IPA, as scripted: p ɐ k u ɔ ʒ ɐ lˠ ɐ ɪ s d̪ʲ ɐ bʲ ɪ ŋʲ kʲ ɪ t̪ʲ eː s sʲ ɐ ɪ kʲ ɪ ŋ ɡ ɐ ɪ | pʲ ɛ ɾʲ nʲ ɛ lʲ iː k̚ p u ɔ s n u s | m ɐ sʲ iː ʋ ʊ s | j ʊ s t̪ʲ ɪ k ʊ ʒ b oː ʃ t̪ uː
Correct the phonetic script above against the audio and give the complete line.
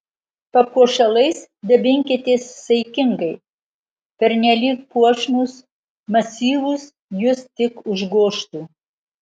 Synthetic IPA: p ɐ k u ɔ ʃ ɐ lˠ ɐ ɪ s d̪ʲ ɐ bʲ ɪ ŋʲ kʲ ɪ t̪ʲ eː s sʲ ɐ ɪ kʲ ɪ ŋ ɡ ɐ ɪ | pʲ ɛ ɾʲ nʲ ɛ lʲ iː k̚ p u ɔ ʃ n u s | m ɐ sʲ iː ʋ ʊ s | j ʊ s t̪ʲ ɪ k ʊ ʒ ɡ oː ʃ t̪ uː